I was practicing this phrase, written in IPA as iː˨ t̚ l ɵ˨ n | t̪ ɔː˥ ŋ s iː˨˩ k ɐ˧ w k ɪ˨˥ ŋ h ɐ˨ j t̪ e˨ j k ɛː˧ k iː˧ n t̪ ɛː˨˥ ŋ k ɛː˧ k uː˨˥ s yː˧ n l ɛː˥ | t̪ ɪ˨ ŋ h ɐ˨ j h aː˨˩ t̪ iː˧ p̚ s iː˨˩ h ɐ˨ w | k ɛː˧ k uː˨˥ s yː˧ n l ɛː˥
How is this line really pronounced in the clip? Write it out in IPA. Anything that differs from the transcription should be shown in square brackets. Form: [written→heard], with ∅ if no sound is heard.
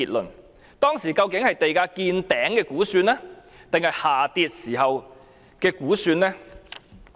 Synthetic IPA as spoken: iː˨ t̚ l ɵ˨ n | t̪ ɔː˥ ŋ s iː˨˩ k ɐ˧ w k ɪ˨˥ ŋ h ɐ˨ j t̪ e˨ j k [ɛː˧→aː˧] k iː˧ n t̪ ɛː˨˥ ŋ k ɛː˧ k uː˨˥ s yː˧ n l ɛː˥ | t̪ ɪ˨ ŋ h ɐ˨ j h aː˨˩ t̪ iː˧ [p̚→t̚] s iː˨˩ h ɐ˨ w | k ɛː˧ k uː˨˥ s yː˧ n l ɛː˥